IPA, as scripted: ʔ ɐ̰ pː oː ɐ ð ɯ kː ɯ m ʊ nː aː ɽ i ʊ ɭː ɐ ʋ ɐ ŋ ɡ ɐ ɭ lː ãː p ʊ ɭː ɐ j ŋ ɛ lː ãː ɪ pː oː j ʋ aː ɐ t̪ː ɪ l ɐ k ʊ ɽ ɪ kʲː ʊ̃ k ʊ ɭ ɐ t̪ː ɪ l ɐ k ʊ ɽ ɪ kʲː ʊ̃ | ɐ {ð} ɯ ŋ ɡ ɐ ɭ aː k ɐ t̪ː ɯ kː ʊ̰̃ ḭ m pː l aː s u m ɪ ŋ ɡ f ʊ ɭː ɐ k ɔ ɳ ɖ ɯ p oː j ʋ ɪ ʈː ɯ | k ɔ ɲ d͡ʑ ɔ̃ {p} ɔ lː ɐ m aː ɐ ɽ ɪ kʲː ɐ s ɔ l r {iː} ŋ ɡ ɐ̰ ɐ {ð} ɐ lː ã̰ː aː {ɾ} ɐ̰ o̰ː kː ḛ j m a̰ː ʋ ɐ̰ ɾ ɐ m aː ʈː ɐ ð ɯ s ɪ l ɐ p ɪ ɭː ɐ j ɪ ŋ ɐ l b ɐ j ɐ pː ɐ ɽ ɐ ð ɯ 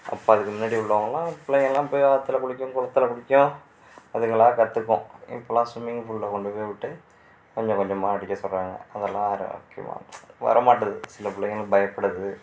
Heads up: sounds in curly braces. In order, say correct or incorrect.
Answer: correct, incorrect, incorrect, correct, correct

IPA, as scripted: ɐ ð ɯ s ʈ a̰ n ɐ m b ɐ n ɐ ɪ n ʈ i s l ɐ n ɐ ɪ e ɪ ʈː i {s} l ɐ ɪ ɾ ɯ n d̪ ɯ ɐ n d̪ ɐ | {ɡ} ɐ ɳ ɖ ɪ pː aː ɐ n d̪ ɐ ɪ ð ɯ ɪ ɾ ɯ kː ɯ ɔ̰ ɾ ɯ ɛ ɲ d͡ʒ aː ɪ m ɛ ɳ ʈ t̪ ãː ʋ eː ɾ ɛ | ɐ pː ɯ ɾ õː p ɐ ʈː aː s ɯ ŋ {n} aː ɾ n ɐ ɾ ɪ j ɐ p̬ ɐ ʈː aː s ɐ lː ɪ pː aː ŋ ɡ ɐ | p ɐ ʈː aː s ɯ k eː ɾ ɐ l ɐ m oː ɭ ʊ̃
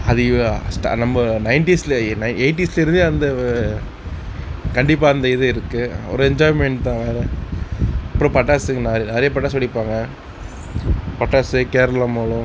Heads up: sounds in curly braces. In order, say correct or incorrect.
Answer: correct, incorrect, correct

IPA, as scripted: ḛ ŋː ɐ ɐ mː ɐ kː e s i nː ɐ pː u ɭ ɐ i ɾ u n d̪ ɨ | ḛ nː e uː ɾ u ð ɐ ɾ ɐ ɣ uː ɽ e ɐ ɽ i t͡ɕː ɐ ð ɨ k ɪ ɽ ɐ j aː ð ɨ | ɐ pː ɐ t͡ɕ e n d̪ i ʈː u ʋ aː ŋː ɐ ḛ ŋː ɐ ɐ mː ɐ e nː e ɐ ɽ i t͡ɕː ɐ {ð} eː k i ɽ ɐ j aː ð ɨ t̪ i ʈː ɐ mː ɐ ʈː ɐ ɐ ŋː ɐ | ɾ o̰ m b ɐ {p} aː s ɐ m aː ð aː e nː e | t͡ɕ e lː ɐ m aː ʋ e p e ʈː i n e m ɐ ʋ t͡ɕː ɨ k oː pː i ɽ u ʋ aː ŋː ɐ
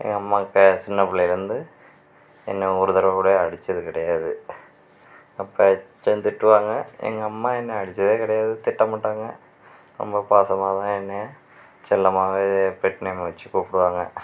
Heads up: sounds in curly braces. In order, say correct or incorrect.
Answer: correct, correct

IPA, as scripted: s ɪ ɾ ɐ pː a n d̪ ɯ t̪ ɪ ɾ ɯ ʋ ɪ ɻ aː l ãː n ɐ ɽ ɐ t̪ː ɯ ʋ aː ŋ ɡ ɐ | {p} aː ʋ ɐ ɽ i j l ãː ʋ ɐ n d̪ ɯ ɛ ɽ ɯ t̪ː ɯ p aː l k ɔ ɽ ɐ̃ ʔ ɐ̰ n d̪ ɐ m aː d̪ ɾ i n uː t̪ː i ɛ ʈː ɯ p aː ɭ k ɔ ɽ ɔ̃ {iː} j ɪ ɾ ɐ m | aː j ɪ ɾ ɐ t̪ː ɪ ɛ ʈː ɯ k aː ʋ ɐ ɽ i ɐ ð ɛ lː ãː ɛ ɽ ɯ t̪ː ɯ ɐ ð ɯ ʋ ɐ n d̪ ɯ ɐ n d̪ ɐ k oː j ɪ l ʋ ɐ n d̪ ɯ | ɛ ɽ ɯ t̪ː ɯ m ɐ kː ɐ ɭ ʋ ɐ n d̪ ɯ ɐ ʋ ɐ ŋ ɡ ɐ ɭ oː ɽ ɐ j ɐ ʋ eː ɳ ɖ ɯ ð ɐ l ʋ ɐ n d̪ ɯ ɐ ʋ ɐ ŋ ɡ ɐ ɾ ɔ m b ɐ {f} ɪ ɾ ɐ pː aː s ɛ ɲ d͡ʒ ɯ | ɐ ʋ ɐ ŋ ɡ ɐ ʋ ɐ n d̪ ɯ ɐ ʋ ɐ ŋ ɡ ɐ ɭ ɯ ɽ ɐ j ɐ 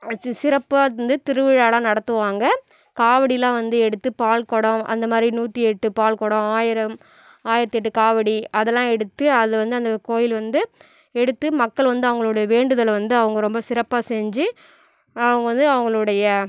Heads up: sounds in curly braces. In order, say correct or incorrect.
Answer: incorrect, incorrect, incorrect

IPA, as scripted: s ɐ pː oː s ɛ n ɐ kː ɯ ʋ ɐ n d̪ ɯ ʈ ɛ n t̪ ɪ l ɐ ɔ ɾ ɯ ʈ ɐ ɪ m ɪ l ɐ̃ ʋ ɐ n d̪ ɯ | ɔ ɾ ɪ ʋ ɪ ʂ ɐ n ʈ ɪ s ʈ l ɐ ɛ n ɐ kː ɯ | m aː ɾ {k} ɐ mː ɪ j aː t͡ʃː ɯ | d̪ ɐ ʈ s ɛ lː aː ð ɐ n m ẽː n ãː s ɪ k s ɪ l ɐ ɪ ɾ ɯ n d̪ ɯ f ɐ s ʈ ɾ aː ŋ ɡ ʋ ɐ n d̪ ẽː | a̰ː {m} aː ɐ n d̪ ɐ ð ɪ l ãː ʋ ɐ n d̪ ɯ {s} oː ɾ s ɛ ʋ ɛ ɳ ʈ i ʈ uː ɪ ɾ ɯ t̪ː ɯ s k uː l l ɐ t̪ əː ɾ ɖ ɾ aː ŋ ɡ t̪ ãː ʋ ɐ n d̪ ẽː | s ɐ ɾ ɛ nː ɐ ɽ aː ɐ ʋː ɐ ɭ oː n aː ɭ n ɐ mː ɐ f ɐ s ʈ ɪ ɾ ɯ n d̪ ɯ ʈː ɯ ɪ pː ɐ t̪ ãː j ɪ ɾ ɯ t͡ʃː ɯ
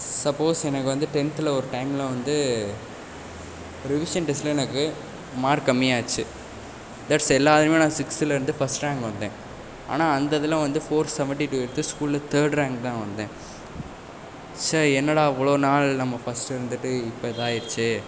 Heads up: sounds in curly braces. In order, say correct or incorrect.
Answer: correct, incorrect, incorrect

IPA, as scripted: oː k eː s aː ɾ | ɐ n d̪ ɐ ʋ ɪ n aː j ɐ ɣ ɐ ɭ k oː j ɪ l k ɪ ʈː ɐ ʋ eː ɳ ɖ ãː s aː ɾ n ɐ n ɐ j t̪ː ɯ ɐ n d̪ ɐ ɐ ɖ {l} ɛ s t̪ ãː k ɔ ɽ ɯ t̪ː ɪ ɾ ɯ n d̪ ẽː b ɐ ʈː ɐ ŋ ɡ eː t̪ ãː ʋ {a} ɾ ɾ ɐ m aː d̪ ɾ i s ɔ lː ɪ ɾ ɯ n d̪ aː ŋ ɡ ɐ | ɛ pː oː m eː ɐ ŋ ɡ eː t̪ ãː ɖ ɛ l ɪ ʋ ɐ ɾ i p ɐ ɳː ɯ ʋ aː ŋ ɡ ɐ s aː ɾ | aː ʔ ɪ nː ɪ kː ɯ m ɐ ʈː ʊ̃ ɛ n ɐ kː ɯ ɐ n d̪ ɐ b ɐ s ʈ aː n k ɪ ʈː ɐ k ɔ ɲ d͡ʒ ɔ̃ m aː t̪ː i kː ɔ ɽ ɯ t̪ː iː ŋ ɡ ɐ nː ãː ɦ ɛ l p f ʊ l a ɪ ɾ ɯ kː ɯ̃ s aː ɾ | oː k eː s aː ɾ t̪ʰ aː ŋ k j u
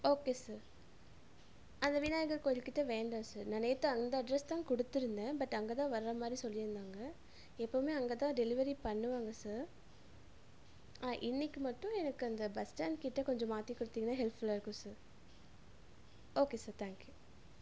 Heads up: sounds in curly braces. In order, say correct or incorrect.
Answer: incorrect, incorrect

